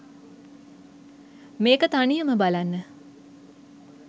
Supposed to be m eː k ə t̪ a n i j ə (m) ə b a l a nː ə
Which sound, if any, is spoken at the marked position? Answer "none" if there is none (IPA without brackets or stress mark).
m